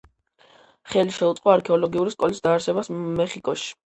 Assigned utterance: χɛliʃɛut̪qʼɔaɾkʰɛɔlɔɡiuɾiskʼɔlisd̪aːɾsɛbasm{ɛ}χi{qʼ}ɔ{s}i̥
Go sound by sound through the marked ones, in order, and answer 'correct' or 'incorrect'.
correct, incorrect: kʼ, incorrect: ʃ

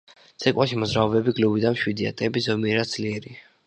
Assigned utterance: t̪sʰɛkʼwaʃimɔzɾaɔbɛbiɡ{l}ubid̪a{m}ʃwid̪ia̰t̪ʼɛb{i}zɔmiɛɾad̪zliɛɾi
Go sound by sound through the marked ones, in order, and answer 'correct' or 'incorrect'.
correct, correct, correct

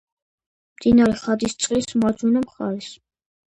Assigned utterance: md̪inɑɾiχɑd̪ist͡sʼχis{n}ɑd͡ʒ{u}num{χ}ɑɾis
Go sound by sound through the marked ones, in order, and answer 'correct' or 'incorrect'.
incorrect: m, correct, correct

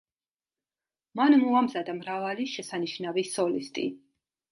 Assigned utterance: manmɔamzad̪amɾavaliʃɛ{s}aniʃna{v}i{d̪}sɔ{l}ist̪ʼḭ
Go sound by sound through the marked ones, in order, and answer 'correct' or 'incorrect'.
correct, correct, incorrect: none, correct

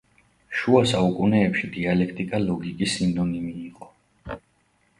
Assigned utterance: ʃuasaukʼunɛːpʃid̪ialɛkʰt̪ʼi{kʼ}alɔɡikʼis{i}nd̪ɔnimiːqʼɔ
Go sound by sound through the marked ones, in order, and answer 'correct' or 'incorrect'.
correct, correct

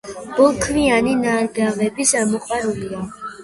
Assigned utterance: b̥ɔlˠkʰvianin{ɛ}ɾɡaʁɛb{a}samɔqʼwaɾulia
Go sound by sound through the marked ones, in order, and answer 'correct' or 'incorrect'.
incorrect: a, incorrect: i

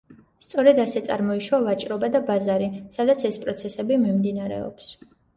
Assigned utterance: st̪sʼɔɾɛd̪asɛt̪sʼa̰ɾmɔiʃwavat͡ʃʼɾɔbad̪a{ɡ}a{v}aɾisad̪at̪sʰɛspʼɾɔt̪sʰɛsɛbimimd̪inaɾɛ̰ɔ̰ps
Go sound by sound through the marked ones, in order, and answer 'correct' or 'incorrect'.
incorrect: b, incorrect: z

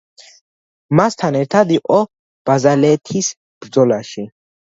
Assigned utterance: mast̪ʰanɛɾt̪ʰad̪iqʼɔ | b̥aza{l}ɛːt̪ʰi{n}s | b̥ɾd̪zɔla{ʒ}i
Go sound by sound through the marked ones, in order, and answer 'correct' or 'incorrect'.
correct, incorrect: none, incorrect: ʃ

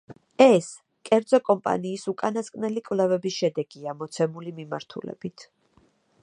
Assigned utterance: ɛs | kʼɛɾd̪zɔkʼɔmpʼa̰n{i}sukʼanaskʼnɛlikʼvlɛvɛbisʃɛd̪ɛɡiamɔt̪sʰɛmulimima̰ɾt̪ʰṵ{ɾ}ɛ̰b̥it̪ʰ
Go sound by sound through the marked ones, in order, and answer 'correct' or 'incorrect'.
incorrect: iː, incorrect: l

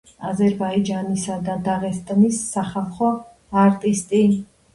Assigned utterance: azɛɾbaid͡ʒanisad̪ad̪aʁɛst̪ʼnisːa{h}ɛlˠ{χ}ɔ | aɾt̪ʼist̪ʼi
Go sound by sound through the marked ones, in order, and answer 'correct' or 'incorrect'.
incorrect: χ, correct

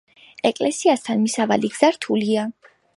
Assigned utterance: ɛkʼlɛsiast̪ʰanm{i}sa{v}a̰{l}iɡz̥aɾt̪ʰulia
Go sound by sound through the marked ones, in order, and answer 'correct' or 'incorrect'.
correct, correct, correct

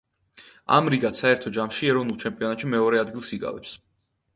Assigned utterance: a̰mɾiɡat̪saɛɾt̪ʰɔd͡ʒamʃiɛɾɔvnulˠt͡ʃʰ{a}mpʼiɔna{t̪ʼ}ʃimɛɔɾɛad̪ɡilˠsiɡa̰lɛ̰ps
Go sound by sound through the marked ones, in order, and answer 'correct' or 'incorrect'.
incorrect: ɛ, incorrect: t̪

